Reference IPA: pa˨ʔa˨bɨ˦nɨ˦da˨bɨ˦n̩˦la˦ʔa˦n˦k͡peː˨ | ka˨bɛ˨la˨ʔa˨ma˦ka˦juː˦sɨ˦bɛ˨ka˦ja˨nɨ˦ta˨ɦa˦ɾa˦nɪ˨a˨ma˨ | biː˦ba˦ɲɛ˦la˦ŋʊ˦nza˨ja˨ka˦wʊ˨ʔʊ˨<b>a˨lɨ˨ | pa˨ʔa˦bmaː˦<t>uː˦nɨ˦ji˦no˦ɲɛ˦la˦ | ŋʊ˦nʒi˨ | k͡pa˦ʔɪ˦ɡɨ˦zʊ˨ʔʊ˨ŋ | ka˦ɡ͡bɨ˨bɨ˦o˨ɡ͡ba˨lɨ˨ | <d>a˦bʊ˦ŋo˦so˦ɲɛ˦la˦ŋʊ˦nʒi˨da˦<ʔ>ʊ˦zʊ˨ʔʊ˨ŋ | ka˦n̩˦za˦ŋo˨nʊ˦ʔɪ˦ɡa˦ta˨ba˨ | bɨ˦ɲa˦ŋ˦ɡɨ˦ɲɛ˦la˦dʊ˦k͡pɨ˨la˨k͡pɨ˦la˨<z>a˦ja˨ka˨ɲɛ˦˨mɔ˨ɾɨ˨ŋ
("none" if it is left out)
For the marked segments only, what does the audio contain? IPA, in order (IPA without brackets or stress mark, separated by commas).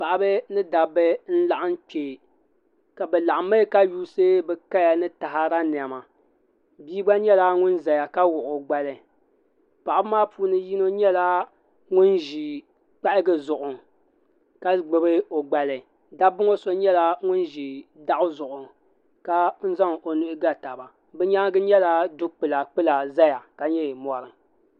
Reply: ɡ͡b, p, d, ʔ, z